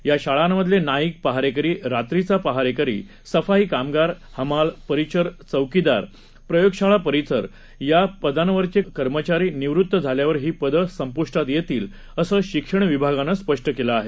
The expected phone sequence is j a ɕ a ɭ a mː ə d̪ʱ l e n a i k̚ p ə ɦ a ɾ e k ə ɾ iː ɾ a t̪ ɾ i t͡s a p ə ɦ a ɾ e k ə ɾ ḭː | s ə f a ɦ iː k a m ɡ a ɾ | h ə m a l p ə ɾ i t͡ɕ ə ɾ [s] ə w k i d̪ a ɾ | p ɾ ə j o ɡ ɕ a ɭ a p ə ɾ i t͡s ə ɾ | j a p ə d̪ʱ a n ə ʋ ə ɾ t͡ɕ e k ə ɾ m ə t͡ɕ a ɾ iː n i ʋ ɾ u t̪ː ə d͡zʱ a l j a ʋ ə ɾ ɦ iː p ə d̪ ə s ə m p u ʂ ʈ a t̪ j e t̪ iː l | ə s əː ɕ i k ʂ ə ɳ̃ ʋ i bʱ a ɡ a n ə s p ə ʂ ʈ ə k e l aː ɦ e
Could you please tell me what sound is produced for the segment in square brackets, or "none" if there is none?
t͡s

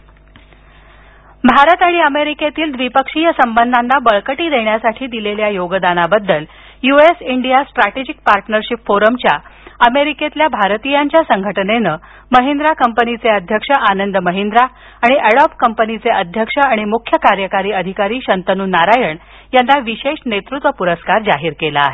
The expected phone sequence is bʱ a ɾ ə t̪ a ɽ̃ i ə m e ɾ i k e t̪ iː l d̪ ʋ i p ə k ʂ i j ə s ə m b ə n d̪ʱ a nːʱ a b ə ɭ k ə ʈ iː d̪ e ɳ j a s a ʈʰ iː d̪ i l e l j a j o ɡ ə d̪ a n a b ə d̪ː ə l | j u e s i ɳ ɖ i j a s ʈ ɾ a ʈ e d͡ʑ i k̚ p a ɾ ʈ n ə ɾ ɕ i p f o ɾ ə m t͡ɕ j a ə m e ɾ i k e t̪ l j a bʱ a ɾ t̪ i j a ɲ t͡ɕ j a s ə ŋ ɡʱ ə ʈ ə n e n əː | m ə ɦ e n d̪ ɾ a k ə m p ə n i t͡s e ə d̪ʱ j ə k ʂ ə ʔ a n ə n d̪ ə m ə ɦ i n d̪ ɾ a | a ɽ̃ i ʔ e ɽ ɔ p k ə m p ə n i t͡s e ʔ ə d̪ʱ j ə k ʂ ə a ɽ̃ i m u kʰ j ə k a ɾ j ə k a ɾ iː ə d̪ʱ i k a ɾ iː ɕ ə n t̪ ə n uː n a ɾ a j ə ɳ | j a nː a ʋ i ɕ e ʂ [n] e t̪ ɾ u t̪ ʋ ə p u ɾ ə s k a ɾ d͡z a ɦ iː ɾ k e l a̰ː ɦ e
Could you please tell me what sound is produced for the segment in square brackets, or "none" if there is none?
n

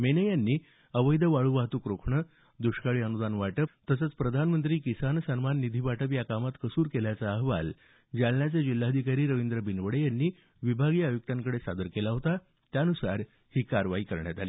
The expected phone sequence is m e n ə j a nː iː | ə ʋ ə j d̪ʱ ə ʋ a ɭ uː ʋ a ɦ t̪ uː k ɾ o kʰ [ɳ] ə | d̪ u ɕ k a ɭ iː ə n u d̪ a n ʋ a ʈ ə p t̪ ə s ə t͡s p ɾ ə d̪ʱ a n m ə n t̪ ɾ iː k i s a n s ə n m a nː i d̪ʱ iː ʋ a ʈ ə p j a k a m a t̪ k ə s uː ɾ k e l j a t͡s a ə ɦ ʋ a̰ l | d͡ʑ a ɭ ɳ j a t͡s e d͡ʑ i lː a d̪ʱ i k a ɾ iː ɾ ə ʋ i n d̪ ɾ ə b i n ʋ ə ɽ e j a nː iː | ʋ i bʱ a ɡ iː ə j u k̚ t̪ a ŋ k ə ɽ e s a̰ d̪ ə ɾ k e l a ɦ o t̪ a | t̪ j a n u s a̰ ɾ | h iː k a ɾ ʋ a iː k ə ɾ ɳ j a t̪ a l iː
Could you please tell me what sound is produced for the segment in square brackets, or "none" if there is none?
ɳ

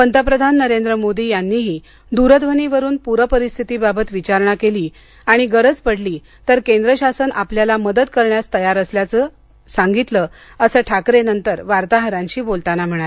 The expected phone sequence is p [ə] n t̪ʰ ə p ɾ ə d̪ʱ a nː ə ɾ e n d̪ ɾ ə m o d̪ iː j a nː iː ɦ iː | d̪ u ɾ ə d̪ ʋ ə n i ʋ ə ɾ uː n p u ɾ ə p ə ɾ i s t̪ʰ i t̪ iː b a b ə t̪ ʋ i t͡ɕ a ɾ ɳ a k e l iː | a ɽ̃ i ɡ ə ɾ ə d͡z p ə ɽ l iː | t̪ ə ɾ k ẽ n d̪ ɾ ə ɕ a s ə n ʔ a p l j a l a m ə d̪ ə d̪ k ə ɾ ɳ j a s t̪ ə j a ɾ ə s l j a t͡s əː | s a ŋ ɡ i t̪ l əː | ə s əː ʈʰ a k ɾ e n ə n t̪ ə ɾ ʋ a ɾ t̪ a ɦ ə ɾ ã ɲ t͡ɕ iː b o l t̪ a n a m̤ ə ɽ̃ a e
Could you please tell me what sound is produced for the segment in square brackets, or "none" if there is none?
ə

